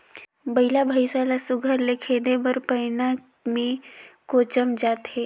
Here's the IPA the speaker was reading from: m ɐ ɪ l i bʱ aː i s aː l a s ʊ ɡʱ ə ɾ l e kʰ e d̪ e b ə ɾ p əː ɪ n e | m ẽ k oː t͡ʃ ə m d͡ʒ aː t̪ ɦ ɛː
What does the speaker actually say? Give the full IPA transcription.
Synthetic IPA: b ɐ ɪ l a bʱ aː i s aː l a s ʊ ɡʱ ə ɾ l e kʰ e d̪ e b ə ɾ p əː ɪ n a | m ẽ k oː t͡ʃ ə m d͡ʒ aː t̪ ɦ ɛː